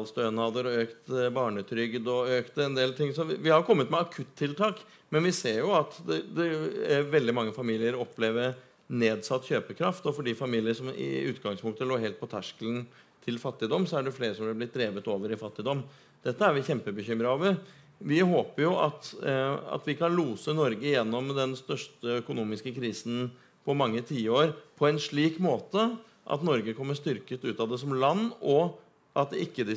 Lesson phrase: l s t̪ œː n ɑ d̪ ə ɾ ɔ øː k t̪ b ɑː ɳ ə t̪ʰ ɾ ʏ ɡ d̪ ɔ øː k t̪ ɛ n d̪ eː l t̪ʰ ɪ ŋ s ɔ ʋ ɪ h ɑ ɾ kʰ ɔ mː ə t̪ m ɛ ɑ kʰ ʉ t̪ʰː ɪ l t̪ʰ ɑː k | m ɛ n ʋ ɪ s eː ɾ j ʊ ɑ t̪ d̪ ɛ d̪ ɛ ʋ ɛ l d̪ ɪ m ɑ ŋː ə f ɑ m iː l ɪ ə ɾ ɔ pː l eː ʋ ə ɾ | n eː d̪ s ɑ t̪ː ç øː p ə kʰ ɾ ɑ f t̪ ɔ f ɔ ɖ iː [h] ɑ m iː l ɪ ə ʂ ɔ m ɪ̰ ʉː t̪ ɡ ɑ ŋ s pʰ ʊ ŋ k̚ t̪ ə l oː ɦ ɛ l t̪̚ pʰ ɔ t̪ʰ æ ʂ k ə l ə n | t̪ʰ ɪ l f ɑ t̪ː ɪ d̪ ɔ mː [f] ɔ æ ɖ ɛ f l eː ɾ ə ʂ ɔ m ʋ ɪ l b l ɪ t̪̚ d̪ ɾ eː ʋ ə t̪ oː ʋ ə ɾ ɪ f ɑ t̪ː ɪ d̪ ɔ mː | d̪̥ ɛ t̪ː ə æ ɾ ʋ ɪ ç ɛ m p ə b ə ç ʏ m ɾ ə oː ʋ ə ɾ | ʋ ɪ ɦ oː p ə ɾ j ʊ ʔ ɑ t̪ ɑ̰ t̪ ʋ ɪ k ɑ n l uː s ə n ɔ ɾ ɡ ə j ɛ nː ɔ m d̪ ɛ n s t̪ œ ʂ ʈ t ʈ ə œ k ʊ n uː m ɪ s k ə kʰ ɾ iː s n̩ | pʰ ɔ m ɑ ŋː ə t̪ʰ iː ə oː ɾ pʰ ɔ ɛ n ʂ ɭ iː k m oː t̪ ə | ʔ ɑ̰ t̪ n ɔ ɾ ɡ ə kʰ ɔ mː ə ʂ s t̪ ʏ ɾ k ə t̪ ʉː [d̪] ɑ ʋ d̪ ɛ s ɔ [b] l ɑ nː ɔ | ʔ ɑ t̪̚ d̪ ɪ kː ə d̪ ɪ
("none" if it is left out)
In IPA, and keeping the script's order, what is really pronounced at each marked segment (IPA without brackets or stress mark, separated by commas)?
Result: f, s, t̪, m